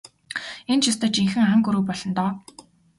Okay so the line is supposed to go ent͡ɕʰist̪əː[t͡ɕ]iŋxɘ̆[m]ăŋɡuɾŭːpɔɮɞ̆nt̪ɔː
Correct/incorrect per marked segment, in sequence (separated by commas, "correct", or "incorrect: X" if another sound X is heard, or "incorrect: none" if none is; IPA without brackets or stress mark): correct, incorrect: ŋ